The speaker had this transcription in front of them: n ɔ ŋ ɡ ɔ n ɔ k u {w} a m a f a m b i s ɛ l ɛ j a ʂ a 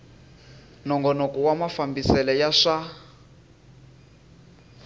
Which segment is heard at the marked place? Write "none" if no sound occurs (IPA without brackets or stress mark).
w